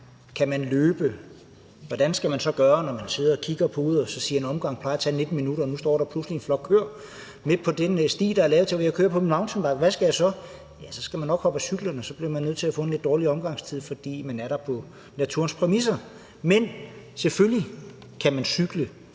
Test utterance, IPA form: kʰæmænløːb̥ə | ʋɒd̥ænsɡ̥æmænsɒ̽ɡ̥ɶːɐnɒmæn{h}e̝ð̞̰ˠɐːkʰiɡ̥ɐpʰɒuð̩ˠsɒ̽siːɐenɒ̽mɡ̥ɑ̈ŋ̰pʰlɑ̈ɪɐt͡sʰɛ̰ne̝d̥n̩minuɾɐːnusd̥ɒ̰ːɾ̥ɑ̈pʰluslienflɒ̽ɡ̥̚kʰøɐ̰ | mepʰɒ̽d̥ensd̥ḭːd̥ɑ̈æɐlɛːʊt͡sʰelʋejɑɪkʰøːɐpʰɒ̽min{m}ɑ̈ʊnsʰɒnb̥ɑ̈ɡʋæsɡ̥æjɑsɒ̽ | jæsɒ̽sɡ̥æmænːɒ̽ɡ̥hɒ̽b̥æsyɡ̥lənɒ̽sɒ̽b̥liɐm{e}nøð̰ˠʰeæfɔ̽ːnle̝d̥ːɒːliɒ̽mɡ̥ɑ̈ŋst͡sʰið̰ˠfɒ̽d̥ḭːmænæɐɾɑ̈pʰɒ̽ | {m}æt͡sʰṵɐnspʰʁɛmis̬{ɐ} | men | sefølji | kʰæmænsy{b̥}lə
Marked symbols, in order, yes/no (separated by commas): no, yes, no, no, yes, no